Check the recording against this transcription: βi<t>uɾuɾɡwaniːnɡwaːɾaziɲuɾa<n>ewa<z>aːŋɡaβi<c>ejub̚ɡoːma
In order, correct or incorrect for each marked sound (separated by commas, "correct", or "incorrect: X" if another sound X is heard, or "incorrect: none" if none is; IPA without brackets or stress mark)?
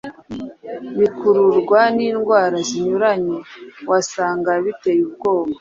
incorrect: k, incorrect: ɲ, incorrect: s, incorrect: t